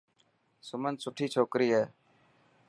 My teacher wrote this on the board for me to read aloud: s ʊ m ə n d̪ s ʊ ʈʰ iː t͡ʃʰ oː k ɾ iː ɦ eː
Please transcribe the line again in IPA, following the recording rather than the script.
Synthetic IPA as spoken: s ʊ m ə n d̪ s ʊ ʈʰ iː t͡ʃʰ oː k ɾ iː ɦ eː